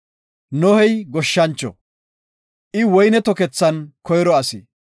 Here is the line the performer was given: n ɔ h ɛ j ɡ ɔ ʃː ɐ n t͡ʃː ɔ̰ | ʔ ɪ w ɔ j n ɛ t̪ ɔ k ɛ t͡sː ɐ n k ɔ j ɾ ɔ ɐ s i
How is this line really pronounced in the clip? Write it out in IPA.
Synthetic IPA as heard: n ɔ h ɛ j ɡ ɔ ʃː ɐ n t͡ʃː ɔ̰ | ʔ ɪ w ɔ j n ɛ t̪ ɔ k ɛ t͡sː ɐ n k ɔ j ɾ ɔ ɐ s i